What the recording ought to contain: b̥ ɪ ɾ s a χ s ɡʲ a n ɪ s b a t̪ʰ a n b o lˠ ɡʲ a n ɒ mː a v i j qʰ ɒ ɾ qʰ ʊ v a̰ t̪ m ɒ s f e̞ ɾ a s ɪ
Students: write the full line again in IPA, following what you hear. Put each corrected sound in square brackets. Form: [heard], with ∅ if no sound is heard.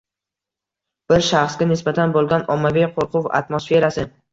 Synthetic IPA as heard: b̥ ɪ ɾ [ʃ] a χ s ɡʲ a n ɪ s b a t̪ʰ a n b o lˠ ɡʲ a n ɒ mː a v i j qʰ [o] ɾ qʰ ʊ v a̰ t̪ m [o] s f e̞ ɾ a s ɪ